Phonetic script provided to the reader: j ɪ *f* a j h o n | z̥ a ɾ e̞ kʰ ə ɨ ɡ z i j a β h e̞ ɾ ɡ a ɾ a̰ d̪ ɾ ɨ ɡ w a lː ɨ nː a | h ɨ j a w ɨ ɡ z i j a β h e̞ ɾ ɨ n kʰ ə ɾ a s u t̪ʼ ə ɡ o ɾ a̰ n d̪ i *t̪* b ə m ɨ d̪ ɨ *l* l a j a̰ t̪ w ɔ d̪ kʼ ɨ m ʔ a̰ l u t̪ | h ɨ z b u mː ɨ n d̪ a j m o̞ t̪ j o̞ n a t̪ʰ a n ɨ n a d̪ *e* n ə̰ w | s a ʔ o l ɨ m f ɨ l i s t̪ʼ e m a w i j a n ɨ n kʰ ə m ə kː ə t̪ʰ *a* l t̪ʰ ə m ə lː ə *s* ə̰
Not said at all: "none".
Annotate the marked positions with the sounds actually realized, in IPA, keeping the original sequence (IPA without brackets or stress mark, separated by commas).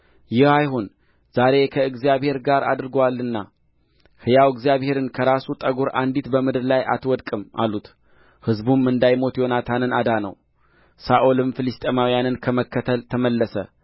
h, t̪, ɾ, a, ə, s